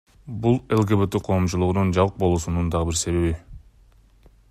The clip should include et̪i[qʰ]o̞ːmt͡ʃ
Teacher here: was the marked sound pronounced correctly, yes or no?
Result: yes